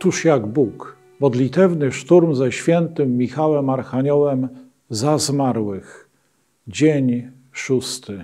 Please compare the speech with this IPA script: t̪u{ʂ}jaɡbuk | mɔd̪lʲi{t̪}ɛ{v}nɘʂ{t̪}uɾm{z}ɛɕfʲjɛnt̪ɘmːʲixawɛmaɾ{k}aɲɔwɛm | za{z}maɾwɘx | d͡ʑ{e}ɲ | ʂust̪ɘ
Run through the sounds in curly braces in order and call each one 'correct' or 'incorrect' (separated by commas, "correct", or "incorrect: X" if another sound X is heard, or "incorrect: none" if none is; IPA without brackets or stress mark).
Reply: correct, correct, correct, correct, correct, incorrect: x, correct, correct